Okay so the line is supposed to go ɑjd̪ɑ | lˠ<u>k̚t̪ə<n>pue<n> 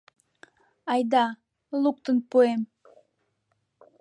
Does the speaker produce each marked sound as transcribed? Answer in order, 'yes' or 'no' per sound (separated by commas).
yes, yes, no